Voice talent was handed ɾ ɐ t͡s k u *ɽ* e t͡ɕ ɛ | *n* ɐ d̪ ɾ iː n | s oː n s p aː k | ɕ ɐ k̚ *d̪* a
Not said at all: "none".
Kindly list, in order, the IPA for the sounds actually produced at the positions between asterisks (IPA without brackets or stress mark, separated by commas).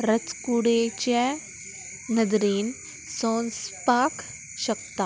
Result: ɽ, n, t̪